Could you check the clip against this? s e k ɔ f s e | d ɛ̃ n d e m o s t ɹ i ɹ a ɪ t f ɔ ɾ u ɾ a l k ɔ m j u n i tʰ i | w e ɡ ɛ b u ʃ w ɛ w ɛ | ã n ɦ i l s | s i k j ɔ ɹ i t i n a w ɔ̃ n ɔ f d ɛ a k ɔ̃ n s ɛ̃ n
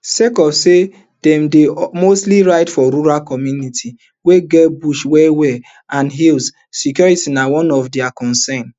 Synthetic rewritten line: s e k ɔ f s e | d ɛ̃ m d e m o s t l i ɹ a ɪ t f ɔ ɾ u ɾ a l k ɔ m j u n i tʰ i | w e ɡ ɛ b u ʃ w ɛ w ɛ | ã n ɦ i l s | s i k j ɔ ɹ i t i n a w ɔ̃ n ɔ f d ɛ a k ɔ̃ n s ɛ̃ n